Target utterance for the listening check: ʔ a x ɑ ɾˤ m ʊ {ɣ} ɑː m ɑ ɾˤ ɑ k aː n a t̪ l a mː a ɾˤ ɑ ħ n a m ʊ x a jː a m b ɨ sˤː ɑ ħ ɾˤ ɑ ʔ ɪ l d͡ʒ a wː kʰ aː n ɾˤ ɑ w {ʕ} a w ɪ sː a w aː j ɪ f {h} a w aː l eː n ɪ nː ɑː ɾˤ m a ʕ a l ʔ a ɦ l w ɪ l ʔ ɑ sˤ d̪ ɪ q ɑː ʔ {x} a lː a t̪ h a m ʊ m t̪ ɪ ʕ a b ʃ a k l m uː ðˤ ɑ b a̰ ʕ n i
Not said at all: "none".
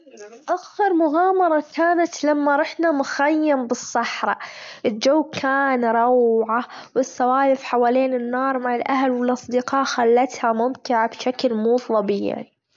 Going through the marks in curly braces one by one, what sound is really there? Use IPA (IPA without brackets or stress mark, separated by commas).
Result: ɣ, ʕ, ħ, x